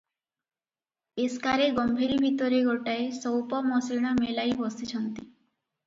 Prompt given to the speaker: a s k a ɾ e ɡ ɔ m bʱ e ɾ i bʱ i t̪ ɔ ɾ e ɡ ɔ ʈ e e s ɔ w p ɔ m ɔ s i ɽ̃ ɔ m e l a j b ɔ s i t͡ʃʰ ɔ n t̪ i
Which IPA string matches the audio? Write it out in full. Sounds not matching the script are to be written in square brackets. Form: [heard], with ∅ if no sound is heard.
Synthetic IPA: [e] s k a ɾ e ɡ ɔ m bʱ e ɾ i bʱ i t̪ ɔ ɾ e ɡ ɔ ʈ [a] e s ɔ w p ɔ m ɔ s i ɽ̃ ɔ m e l a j b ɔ s i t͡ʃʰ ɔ n t̪ i